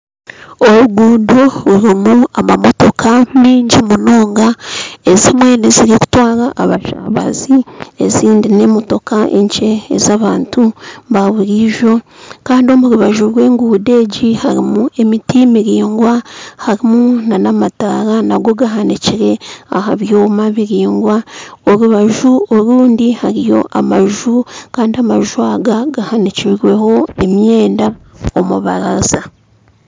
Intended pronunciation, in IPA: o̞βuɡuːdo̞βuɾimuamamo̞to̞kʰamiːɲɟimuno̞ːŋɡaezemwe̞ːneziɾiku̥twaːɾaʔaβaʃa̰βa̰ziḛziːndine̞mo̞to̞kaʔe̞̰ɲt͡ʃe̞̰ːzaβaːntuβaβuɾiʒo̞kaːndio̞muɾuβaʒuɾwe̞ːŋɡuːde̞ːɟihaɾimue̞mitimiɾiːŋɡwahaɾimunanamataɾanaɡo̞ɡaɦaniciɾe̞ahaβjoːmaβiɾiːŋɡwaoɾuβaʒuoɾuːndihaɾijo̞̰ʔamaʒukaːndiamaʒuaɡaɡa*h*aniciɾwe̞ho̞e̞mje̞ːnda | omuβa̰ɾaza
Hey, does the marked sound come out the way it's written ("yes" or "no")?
yes